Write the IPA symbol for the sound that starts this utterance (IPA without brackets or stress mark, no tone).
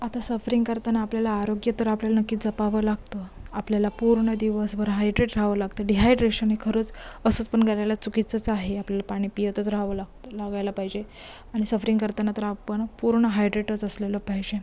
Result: a